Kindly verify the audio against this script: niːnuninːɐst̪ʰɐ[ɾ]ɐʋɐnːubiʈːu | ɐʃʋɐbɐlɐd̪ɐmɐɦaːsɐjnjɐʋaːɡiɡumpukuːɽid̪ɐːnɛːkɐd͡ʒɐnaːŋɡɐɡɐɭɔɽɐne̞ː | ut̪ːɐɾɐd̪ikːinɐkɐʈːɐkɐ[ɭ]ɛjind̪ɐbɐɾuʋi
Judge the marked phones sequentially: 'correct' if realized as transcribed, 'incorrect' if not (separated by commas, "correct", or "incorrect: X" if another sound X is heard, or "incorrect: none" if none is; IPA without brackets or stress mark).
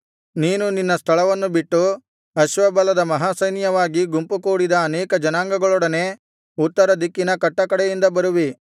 incorrect: ɭ, incorrect: ɽ